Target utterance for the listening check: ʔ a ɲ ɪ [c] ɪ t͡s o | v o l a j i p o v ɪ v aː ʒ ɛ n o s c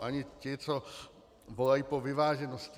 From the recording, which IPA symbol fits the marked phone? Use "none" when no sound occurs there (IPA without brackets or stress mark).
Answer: c